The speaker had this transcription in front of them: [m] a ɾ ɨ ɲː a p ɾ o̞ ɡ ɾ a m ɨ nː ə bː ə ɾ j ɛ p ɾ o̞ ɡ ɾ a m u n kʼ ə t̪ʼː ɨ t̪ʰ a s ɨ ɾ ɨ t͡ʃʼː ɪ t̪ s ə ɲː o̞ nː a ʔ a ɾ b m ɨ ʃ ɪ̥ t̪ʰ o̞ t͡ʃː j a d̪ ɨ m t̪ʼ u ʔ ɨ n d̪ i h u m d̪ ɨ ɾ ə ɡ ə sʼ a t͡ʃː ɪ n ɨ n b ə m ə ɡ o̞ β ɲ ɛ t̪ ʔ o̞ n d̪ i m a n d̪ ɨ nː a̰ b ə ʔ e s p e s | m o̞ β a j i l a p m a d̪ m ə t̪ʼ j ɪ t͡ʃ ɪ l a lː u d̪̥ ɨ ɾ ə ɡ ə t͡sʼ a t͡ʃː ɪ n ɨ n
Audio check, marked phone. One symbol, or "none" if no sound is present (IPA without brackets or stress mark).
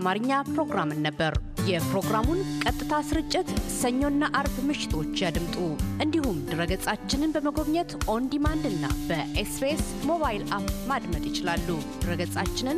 m